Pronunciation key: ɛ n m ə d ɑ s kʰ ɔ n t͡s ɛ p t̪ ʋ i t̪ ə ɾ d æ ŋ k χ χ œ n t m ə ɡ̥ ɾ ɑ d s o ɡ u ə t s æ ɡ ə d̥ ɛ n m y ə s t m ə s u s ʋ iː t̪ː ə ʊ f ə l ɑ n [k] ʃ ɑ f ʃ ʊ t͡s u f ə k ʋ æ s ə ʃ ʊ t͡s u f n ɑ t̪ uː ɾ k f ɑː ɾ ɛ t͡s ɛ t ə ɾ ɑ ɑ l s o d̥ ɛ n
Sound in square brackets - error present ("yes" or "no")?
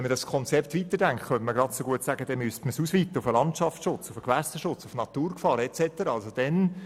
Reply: yes